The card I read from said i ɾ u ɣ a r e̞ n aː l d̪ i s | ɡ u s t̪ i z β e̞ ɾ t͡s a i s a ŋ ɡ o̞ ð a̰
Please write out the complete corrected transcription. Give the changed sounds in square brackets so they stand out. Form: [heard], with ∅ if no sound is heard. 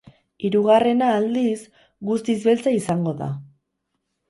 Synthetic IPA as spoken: i ɾ u ɣ a r e̞ n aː l d̪ i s | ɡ u s t̪ i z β e̞ [l] t͡s a i s a ŋ ɡ o̞ ð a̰